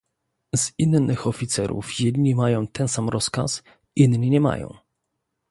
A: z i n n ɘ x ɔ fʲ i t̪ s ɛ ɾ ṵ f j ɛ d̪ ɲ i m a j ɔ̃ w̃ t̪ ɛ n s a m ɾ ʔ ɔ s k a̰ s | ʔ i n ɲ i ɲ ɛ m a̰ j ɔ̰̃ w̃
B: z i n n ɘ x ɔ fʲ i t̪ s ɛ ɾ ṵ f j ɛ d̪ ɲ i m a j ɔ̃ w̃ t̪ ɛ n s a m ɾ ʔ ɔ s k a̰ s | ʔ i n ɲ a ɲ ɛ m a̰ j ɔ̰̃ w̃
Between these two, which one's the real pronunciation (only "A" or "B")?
A